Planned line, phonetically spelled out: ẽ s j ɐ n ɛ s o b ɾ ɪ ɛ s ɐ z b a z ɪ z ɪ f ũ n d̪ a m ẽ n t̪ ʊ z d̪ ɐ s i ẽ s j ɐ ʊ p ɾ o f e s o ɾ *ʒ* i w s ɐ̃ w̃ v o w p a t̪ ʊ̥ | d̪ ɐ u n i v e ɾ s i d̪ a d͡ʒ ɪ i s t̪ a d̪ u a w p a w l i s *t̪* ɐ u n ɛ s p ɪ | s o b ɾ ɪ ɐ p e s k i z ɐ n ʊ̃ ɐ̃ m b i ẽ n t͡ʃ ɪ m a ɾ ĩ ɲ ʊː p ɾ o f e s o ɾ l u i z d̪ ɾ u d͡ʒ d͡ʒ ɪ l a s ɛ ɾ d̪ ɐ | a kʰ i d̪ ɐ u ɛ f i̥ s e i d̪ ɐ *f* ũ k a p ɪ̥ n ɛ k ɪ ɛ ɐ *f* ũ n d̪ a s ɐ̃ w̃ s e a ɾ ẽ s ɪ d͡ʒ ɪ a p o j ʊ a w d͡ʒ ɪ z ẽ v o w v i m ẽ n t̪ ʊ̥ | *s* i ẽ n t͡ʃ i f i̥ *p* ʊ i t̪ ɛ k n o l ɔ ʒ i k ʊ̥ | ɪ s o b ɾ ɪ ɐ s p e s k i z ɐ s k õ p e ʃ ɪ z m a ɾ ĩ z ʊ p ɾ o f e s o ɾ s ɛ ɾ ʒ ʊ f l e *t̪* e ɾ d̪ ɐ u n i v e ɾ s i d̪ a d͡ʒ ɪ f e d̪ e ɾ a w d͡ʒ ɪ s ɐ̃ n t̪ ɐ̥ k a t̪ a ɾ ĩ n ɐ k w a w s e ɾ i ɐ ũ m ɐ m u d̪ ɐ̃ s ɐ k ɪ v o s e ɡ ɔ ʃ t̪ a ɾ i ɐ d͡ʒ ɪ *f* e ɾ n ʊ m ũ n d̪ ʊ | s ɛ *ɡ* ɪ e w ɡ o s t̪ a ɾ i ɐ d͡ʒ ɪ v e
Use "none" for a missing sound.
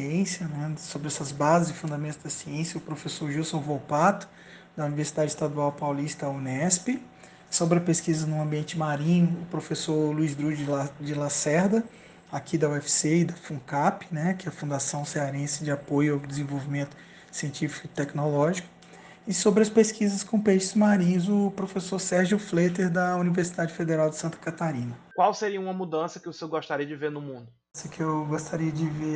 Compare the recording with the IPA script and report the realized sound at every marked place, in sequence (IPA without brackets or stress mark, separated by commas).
ʒ, t̪, f, f, s, k, t̪, v, k